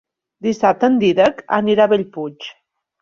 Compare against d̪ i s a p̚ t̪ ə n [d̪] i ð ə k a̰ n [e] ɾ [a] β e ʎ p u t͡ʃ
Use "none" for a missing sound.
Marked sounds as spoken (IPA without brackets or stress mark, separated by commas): d̪, i, a